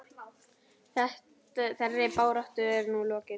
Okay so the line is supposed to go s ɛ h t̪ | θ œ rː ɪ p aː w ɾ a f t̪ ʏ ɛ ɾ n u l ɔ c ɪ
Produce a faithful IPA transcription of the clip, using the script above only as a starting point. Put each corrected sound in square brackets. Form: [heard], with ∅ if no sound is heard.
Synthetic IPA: [θ] ɛ h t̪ | θ [ɛ] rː ɪ p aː w ɾ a [h] t̪ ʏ ɛ ɾ n u l [ɔː] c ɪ